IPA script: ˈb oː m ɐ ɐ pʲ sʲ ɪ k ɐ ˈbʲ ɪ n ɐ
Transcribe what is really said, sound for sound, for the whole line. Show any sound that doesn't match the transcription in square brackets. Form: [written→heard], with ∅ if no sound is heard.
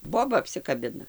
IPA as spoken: ˈb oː [m→b] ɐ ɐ pʲ sʲ ɪ k ɐ ˈbʲ ɪ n ɐ